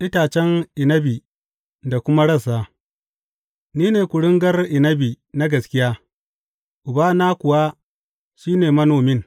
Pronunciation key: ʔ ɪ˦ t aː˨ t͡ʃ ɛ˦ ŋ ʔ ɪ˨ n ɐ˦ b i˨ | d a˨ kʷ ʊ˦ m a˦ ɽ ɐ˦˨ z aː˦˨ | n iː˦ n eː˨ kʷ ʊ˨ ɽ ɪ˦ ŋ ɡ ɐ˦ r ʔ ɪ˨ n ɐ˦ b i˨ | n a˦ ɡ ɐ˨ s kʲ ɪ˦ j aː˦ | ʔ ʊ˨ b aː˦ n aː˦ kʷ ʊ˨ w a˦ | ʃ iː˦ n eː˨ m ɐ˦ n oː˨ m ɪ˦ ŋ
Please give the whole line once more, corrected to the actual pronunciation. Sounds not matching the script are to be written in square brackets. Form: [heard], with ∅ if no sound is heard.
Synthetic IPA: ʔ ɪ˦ t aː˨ t͡ʃ ɛ˦ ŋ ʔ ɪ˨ n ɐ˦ b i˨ | d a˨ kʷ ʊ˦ m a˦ ɽ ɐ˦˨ [s] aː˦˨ | n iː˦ n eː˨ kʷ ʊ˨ ɽ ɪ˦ ŋ ɡ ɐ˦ r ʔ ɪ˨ n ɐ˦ b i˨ | n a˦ ɡ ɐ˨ s kʲ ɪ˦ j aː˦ | ʔ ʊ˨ b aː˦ n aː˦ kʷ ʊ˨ w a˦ | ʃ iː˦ n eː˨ m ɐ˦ n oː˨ m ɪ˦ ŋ